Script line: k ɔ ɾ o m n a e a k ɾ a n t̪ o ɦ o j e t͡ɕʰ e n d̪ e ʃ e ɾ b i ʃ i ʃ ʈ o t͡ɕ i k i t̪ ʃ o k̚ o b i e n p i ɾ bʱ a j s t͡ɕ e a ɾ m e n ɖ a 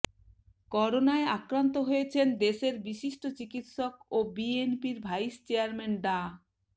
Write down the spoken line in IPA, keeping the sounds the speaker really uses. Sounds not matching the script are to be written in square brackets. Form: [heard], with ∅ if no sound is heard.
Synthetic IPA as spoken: k ɔ ɾ o [∅] n a e a k ɾ a n t̪ o ɦ o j e t͡ɕʰ e n d̪ e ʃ e ɾ b i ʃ i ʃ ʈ o t͡ɕ i k i t̪ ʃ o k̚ o b i e n p i ɾ bʱ a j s t͡ɕ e a ɾ m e n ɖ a